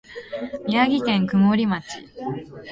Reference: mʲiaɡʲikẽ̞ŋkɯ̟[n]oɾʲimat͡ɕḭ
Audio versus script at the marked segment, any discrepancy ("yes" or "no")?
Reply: yes